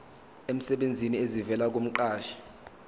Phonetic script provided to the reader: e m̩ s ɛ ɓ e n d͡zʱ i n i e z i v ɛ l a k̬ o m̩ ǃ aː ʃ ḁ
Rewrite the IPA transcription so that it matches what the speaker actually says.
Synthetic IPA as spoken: e m̩ s ɛ ɓ e n d͡zʱ i n i e z i v ɛ l a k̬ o m̩ ǃ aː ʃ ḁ